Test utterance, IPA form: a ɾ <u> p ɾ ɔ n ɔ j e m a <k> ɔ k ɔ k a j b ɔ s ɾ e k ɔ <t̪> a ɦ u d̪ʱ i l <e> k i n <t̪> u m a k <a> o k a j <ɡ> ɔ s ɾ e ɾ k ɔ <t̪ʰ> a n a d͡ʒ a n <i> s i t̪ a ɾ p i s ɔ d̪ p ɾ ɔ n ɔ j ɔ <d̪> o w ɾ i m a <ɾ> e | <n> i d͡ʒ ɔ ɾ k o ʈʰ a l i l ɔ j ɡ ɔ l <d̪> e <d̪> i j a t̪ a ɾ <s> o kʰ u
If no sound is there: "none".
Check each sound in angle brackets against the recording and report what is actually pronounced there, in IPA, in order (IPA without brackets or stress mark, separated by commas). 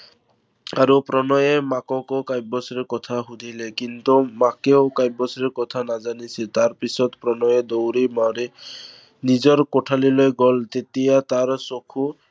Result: u, k, t̪ʰ, e, t̪, e, b, t̪ʰ, i, d̪, ɾ, n, t̪, t̪, s